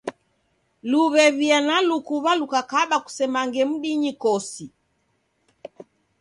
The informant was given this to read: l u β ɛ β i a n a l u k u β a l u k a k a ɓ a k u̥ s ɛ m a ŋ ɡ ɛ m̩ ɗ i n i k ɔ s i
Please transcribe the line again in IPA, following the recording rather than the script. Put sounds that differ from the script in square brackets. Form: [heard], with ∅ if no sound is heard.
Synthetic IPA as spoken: l u β ɛ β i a n a l u k u β a l u k a k a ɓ a k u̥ s ɛ m a ŋ ɡ ɛ m̩ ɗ i [ɲ] i k ɔ s i